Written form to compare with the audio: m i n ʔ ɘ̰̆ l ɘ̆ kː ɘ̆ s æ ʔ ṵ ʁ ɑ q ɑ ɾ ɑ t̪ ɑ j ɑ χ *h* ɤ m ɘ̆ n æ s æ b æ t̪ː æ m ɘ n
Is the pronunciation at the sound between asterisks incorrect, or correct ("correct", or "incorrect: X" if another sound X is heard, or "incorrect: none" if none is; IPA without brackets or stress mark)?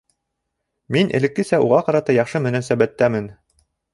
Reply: incorrect: ʃ